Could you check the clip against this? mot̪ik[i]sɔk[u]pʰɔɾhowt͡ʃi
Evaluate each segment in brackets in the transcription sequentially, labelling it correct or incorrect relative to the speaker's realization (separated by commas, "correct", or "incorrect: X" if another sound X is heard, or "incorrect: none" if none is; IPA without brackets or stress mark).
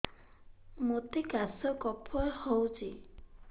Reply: incorrect: a, incorrect: ɔ